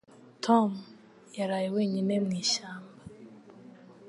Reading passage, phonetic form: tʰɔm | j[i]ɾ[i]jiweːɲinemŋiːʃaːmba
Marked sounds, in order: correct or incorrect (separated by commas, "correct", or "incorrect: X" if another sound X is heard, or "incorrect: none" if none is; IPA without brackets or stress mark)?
incorrect: a, incorrect: a